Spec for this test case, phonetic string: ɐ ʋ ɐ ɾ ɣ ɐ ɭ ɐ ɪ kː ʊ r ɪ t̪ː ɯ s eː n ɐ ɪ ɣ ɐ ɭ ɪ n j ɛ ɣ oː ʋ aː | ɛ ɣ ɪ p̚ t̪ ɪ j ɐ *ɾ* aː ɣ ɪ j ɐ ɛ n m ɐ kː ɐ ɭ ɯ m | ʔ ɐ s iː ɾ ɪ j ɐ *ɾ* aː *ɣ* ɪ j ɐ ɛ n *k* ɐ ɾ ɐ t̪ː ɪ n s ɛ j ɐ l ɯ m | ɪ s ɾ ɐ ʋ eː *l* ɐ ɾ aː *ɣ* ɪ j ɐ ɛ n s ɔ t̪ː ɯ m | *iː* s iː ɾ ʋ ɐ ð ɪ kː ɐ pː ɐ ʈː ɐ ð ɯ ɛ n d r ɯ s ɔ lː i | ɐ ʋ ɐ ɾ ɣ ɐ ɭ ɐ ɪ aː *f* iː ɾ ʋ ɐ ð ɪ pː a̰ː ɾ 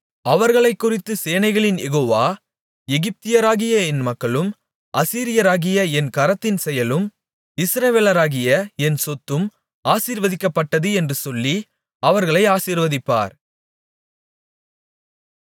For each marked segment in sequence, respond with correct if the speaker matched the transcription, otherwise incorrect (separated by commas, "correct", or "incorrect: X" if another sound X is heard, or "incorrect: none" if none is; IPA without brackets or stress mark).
correct, correct, correct, correct, correct, correct, incorrect: aː, incorrect: s